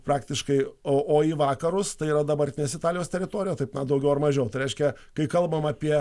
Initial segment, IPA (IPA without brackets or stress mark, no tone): p